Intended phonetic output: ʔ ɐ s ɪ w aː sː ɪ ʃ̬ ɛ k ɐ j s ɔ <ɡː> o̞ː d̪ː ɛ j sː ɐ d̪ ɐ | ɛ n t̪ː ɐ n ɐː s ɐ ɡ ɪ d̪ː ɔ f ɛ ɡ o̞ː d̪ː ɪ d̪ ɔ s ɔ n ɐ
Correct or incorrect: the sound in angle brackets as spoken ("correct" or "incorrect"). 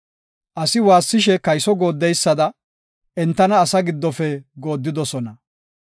incorrect